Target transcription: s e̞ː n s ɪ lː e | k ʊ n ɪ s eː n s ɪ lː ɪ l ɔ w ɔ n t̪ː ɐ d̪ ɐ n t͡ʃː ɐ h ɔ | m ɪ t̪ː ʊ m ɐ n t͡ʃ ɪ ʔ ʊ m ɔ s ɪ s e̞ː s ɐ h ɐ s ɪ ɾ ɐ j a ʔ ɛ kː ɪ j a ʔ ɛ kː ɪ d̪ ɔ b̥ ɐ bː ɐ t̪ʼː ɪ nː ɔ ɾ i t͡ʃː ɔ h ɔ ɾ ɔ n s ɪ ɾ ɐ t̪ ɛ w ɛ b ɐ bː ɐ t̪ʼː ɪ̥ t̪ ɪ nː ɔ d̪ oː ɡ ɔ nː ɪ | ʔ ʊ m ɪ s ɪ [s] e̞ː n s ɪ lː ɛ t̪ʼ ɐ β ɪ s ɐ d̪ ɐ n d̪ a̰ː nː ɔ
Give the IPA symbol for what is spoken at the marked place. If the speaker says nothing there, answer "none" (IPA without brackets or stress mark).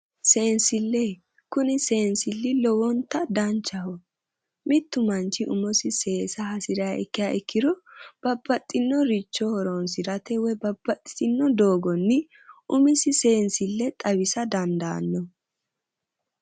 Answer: s